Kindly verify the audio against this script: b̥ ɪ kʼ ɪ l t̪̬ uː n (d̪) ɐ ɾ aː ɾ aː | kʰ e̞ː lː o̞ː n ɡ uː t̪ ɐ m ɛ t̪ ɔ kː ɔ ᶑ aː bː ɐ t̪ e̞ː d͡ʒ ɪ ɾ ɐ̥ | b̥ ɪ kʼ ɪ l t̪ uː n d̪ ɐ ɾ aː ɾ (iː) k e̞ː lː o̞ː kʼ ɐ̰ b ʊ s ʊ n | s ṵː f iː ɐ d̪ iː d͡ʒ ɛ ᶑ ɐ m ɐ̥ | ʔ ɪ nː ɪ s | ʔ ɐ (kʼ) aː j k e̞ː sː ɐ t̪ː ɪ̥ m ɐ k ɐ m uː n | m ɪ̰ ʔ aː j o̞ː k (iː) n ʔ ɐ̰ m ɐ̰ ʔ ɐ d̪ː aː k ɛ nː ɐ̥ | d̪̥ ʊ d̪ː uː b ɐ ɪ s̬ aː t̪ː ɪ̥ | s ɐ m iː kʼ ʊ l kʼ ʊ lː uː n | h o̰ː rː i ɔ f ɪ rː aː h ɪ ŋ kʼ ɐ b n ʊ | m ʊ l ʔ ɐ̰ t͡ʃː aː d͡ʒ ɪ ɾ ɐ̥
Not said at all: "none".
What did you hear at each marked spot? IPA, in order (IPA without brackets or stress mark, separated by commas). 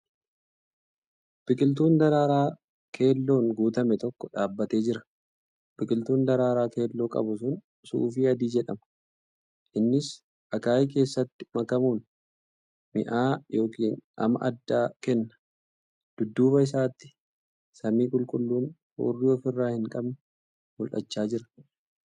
d̪, aː, k, iː